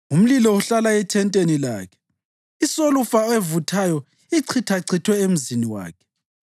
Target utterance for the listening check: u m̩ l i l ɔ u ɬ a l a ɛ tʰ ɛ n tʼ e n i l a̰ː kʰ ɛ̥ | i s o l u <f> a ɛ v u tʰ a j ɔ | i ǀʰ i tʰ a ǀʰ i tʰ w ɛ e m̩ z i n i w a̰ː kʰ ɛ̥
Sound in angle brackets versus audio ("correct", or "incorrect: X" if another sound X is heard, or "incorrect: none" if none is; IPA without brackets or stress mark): correct